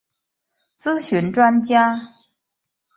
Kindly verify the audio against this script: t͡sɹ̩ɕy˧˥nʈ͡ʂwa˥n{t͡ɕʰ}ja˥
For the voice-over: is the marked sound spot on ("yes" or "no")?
no